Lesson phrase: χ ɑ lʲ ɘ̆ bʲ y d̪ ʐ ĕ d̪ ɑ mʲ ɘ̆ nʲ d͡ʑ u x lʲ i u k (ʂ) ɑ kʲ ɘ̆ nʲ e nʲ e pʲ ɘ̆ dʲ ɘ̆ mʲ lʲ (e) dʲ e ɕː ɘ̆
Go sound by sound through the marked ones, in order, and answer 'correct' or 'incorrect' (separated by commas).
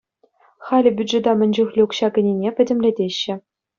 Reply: incorrect, correct